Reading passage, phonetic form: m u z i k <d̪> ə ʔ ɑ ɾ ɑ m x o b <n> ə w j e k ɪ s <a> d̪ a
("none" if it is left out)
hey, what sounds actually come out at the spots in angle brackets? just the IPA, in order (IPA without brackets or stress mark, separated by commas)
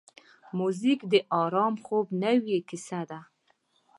d̪, n, a